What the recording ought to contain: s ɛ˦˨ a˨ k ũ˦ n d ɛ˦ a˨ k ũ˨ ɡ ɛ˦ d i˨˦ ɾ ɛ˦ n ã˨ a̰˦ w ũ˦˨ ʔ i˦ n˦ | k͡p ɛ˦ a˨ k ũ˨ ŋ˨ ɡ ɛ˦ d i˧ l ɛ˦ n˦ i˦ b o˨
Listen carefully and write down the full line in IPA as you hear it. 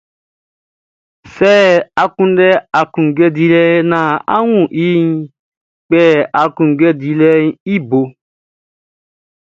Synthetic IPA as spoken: s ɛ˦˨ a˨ k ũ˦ n d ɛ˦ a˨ k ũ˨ ɡ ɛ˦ d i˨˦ l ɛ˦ n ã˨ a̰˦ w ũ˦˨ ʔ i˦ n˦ | k͡p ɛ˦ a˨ k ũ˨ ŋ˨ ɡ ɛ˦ d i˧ l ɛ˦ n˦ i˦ b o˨